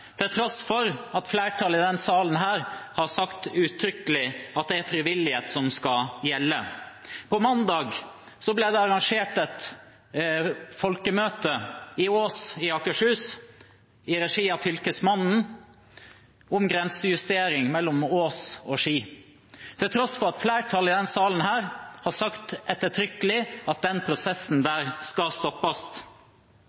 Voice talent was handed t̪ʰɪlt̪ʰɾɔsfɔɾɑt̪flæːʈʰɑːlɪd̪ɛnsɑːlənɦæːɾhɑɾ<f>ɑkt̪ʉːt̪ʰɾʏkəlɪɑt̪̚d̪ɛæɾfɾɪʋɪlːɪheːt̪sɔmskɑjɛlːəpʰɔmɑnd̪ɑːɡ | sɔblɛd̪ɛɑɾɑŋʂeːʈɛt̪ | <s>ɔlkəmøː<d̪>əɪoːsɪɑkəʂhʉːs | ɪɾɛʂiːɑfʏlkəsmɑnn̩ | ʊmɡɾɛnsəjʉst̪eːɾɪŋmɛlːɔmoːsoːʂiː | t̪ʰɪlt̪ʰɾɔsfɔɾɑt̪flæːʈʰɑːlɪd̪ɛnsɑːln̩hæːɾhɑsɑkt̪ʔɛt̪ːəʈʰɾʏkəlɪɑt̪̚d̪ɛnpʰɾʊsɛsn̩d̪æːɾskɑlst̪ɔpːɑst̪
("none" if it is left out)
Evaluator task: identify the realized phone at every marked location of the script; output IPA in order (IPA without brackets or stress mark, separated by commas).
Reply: s, f, t̪